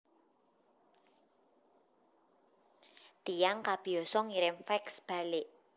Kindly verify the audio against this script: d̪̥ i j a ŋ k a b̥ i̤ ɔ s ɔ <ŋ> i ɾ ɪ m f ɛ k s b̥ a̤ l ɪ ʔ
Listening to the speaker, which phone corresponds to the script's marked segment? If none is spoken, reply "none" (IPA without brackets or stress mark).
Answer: ŋ